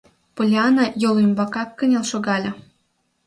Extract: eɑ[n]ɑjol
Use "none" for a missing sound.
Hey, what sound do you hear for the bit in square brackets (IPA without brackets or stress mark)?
n